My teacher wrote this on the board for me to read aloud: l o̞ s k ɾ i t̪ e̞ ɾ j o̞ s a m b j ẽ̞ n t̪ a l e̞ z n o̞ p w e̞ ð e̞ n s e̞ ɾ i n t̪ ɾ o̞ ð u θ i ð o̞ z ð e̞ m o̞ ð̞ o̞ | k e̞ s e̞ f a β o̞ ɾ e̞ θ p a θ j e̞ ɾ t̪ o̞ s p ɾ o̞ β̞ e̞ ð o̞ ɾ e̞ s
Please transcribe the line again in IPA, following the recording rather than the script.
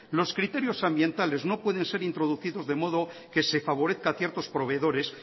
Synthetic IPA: l o̞ s k ɾ i t̪ e̞ ɾ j o̞ s a m b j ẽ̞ n t̪ a l e̞ z n o̞ p w e̞ ð e̞ n s e̞ ɾ i n t̪ ɾ o̞ ð u θ i ð o̞ z ð e̞ m o̞ ð̞ o̞ | k e̞ s e̞ f a β o̞ ɾ e̞ θ k a θ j e̞ ɾ t̪ o̞ s p ɾ o̞ β̞ e̞ ð o̞ ɾ e̞ s